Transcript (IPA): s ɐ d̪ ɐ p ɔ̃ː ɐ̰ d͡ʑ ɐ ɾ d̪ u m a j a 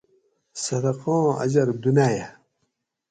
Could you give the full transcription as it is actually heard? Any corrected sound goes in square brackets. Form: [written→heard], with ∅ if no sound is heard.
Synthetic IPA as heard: s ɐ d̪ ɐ [p→q] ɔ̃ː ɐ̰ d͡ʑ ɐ ɾ d̪ u [m→n] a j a